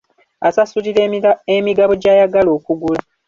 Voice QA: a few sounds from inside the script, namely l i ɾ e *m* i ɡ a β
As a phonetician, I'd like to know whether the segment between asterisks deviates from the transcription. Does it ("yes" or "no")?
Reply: no